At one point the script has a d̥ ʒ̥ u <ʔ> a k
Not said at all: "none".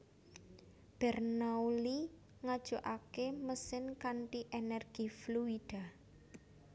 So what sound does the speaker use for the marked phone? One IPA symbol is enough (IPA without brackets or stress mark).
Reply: ʔ